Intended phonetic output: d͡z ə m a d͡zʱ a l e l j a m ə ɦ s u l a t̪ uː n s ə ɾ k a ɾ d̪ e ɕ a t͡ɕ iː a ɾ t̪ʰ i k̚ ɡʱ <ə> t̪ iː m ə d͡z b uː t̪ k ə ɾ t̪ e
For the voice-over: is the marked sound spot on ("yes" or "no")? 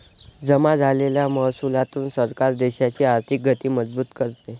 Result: yes